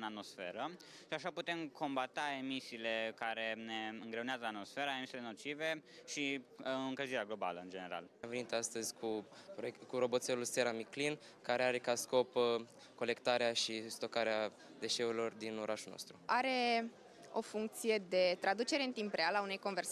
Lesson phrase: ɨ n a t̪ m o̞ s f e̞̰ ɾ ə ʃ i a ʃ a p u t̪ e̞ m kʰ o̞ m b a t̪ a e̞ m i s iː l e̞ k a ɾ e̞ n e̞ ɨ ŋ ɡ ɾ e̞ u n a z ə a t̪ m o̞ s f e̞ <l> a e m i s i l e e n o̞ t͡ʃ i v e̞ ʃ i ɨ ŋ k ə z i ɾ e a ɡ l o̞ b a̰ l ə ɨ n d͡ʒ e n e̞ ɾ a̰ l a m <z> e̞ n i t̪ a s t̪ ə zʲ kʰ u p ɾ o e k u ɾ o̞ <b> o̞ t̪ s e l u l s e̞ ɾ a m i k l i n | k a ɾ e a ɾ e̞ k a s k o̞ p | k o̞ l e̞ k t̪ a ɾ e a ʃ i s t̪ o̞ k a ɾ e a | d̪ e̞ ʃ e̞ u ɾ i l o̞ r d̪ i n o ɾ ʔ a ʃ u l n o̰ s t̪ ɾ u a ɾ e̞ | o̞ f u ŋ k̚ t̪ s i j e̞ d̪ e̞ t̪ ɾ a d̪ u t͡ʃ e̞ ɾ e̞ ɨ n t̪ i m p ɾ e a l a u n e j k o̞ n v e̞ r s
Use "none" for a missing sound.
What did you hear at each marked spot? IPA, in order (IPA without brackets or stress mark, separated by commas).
ɾ, v, b